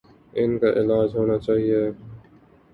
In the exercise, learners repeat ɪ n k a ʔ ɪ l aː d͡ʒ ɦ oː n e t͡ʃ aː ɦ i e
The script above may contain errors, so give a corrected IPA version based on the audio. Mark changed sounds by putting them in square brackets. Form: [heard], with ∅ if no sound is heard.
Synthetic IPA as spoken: ɪ n k a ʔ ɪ l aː d͡ʒ ɦ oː n [a] t͡ʃ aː ɦ i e